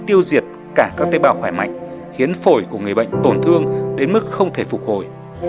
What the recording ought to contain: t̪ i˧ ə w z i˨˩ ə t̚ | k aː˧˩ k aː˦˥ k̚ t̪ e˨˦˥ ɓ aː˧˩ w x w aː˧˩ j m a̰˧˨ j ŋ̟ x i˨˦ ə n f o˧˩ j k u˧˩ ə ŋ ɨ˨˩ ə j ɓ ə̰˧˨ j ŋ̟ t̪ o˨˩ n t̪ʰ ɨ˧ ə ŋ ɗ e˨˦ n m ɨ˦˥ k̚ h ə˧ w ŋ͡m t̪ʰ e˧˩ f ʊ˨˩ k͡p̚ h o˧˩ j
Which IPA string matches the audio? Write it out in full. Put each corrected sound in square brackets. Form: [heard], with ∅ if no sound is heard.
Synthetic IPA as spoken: t̪ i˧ ə w z i˨˩ ə t̚ | k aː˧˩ k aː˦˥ k̚ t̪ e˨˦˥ ɓ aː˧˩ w x w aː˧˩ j m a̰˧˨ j ŋ̟ x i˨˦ ə n f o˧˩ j k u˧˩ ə ŋ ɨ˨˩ ə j ɓ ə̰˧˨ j ŋ̟ t̪ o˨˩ n t̪ʰ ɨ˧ ə ŋ ɗ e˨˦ n m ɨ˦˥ k̚ [x] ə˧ w ŋ͡m t̪ʰ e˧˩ f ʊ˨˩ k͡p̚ h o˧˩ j